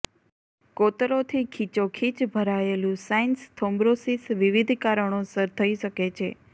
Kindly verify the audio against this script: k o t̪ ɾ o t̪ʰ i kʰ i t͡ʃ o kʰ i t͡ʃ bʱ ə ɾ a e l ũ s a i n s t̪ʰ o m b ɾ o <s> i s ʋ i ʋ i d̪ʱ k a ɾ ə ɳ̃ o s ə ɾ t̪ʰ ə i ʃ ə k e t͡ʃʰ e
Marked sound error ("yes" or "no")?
no